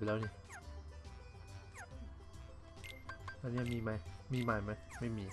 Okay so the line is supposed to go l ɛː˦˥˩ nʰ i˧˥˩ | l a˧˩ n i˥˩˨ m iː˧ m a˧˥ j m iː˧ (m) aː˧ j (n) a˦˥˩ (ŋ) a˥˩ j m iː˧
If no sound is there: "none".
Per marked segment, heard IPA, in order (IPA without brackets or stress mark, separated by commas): m, m, m